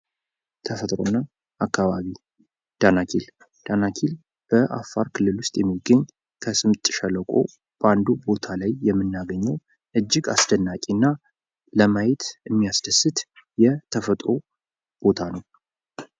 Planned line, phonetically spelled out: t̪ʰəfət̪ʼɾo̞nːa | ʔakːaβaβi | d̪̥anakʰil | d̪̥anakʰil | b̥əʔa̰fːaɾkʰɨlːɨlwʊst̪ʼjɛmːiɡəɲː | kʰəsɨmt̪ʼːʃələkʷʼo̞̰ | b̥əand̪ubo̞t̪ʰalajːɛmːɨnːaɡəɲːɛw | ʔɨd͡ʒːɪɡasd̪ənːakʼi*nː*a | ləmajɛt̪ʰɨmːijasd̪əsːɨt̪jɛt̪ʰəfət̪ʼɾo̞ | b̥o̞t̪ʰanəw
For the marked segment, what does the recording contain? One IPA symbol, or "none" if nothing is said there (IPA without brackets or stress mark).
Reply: nː